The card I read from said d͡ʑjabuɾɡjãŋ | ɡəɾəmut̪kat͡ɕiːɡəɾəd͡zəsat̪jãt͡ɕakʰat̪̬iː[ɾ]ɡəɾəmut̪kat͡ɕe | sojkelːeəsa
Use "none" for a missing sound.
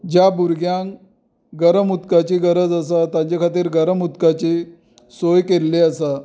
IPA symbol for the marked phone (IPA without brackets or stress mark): ɾ